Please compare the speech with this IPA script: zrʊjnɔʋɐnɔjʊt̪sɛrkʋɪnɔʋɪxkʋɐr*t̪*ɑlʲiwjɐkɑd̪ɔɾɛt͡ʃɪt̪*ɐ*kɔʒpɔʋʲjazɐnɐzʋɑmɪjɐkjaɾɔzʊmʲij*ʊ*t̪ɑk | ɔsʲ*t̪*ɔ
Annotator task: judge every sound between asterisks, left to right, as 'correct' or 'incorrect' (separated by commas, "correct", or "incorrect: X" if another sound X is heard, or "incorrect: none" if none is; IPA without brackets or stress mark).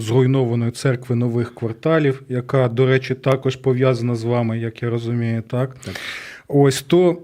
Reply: correct, incorrect: ɑ, correct, correct